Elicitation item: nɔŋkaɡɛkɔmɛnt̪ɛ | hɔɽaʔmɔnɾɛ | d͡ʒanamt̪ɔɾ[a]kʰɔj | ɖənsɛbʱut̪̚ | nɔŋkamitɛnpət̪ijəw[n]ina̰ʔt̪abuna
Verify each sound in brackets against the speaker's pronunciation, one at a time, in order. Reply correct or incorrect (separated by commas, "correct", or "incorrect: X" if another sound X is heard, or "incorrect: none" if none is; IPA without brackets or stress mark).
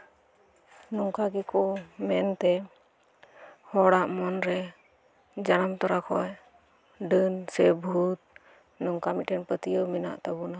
correct, incorrect: m